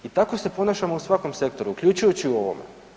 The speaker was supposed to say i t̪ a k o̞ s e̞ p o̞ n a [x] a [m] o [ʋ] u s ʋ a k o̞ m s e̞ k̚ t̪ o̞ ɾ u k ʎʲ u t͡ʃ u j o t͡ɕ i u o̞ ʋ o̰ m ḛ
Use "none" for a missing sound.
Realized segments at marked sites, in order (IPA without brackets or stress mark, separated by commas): ʃ, m, none